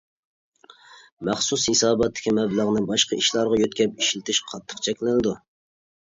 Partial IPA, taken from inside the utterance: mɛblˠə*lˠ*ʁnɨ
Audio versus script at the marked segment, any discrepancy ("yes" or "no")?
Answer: yes